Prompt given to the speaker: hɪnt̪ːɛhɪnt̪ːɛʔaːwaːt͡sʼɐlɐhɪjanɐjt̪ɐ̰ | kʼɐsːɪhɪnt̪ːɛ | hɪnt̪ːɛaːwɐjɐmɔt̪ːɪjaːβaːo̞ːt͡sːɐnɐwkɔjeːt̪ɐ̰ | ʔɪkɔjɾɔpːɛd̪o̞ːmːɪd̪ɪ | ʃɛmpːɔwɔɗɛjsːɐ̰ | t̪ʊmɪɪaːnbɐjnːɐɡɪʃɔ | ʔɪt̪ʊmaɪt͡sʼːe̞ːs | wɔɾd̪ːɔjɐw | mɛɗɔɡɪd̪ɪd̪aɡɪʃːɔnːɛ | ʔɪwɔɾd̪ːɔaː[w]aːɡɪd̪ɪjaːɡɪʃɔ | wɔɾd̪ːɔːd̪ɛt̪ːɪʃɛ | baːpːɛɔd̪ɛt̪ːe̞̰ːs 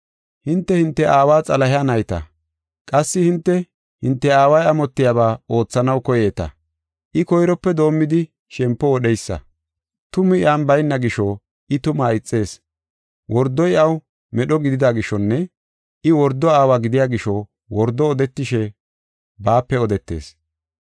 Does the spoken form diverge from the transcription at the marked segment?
no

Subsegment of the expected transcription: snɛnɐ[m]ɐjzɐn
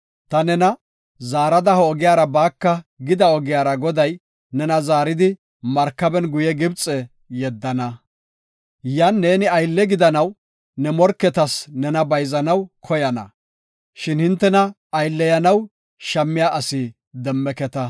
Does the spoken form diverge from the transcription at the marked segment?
yes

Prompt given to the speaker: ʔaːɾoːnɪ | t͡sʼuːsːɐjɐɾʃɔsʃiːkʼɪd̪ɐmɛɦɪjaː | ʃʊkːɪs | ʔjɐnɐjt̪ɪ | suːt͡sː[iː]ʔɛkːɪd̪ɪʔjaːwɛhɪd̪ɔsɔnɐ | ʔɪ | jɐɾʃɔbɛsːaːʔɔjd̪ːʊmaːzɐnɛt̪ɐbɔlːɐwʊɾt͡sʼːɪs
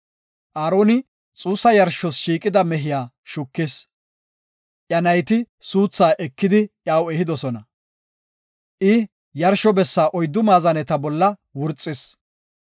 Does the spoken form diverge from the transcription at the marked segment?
yes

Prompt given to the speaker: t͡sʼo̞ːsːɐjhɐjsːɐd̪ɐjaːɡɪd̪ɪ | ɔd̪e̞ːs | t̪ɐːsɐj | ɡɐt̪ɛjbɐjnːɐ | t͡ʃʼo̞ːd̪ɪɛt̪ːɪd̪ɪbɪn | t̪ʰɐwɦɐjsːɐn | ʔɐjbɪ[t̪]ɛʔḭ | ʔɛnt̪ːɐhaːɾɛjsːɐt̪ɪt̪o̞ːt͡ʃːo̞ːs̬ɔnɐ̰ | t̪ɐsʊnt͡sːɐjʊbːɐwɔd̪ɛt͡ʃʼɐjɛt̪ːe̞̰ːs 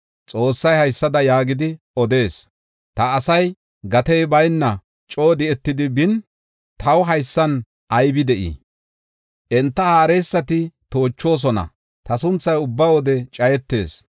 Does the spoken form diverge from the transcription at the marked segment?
yes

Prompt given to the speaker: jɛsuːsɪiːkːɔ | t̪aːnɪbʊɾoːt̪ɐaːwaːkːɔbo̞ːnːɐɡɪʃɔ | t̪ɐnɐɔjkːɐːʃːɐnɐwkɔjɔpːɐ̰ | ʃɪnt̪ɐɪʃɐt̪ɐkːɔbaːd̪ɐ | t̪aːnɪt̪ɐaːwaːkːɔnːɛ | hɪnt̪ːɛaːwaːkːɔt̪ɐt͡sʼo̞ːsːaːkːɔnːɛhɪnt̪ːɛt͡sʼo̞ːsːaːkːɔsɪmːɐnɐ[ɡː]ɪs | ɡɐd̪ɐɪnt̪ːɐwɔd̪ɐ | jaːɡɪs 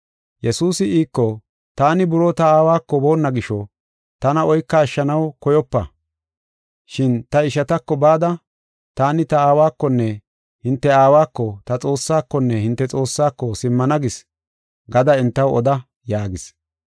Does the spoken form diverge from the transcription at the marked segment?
yes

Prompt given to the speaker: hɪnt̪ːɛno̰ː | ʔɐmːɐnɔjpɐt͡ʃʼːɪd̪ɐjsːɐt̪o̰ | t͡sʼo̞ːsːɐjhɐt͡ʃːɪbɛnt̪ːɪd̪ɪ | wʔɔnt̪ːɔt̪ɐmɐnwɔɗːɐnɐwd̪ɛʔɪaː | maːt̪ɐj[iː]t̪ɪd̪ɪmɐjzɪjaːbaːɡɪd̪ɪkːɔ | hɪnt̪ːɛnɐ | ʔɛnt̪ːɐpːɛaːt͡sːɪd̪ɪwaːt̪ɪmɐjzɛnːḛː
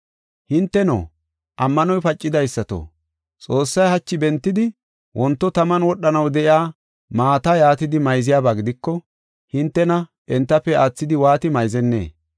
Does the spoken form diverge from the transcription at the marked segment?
yes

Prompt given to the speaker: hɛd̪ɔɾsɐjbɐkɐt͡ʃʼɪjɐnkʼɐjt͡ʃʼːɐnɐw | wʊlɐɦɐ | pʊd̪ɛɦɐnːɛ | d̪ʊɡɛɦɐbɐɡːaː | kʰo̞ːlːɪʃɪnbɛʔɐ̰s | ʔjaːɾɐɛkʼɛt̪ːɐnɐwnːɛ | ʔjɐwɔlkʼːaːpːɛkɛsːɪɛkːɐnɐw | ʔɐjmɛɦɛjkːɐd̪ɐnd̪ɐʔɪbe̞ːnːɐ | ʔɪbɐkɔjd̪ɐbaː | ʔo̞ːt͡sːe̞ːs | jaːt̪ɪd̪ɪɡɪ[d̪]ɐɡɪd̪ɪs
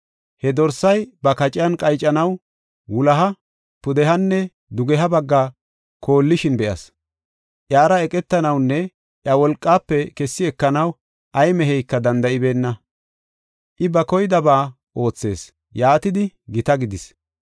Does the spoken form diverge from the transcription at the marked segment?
yes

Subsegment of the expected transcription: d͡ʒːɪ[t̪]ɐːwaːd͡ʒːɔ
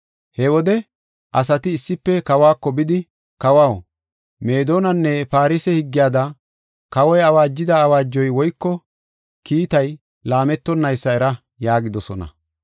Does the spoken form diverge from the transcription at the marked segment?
yes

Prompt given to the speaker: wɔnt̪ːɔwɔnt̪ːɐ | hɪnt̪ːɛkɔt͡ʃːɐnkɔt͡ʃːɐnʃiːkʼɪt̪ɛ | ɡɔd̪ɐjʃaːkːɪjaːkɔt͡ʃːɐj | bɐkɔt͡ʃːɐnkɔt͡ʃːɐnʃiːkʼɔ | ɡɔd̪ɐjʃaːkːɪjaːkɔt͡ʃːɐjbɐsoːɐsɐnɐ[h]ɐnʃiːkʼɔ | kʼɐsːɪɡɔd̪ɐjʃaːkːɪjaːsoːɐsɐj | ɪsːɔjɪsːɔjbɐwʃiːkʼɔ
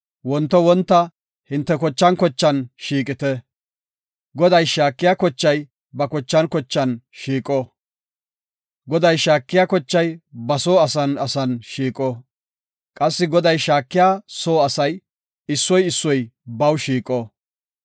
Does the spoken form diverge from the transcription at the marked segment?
yes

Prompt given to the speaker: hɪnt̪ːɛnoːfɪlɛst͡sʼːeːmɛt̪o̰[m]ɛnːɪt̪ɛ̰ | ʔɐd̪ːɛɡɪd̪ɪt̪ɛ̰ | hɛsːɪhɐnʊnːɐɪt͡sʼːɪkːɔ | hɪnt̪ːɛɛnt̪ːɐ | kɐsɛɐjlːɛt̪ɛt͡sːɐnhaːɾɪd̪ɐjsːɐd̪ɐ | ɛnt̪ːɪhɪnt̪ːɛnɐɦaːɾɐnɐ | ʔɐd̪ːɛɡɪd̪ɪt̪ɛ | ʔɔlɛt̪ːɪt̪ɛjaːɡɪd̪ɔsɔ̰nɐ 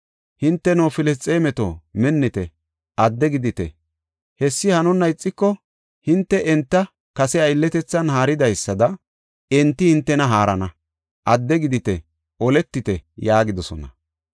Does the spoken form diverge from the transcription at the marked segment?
no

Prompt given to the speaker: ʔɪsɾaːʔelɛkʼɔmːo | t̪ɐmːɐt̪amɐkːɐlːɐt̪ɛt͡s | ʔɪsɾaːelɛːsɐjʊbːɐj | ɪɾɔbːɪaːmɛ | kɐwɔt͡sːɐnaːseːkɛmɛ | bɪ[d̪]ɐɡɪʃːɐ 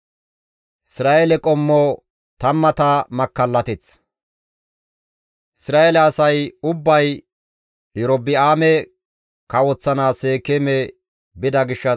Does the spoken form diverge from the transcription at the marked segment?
no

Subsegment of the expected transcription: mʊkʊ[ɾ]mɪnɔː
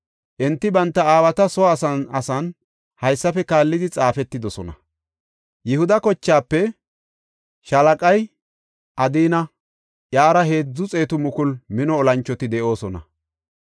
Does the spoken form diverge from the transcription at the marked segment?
yes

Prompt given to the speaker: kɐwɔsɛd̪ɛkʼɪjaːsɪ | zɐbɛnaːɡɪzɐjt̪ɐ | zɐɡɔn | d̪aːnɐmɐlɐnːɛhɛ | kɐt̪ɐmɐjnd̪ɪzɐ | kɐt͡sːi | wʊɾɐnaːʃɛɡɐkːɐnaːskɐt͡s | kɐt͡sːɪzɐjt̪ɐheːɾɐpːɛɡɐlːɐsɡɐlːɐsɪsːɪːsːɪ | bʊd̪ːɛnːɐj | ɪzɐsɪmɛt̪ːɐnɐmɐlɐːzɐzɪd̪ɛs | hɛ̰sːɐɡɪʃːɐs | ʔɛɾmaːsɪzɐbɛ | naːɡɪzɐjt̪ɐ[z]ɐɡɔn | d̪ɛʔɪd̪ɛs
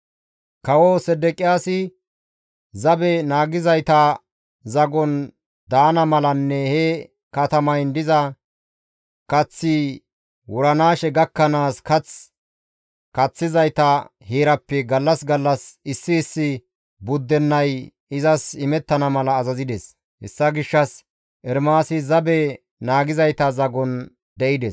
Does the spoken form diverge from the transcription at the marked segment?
no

